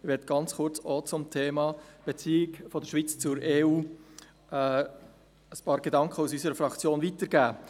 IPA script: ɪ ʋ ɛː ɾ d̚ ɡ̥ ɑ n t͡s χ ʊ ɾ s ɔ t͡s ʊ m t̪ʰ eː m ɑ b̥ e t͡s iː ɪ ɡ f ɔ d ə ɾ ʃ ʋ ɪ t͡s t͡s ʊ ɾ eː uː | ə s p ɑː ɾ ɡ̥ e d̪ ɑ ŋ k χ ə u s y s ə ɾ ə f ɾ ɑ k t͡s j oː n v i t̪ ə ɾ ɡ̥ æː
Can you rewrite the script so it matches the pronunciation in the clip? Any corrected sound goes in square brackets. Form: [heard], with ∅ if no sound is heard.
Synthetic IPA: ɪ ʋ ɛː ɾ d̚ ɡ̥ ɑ n t͡s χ ʊ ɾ [t͡s] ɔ t͡s ʊ m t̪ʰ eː m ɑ b̥ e t͡s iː ɪ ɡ f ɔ d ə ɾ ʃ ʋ [i] t͡s t͡s ʊ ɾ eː uː | ə s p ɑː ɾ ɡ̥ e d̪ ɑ ŋ k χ ə u s y s ə ɾ ə f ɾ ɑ k t͡s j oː n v i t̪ ə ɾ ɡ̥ æː